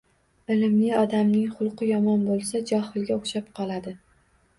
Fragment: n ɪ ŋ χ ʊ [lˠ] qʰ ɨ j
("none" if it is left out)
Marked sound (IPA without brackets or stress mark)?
lˠ